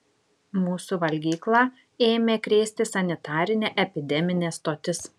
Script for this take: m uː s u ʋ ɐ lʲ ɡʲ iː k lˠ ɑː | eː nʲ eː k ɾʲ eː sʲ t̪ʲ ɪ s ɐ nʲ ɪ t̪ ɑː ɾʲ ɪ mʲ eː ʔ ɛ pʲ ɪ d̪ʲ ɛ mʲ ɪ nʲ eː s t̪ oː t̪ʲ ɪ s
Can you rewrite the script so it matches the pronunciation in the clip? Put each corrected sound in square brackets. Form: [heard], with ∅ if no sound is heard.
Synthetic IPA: m uː s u ʋ ɐ lʲ ɡʲ iː k lˠ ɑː | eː [mʲ] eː k ɾʲ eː sʲ t̪ʲ ɪ s ɐ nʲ ɪ t̪ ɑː ɾʲ ɪ [nʲ] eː ʔ ɛ pʲ ɪ d̪ʲ ɛ mʲ ɪ nʲ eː s t̪ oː t̪ʲ ɪ s